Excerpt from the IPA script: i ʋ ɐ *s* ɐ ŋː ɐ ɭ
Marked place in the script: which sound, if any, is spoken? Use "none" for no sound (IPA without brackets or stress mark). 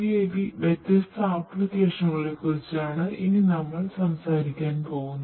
ʂ